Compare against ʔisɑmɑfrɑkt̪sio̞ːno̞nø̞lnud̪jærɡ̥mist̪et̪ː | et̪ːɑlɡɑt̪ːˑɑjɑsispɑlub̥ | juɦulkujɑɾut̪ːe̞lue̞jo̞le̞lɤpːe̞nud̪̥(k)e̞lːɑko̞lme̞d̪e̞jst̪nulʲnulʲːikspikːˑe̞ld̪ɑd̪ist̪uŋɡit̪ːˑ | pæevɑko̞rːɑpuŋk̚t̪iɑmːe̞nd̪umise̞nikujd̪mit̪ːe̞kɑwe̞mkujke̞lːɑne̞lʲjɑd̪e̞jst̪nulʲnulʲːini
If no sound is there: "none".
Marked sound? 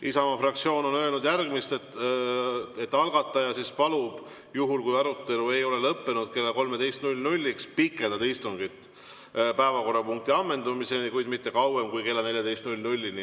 k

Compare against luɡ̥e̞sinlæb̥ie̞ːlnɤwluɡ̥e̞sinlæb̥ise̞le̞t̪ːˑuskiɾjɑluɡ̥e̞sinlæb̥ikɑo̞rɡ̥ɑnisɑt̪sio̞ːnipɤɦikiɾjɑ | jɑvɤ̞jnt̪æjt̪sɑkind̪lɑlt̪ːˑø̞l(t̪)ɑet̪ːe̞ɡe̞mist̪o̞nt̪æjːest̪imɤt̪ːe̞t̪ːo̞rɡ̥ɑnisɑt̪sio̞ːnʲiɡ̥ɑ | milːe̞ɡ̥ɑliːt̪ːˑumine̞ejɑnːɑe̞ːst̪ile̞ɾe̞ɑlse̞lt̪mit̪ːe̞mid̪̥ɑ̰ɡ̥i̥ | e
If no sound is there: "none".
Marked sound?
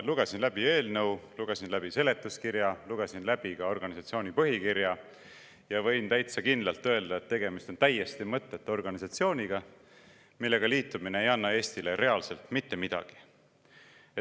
d̪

